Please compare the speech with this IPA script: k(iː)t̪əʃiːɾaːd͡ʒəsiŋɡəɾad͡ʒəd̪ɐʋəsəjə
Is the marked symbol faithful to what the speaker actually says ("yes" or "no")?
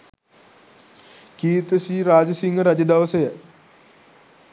yes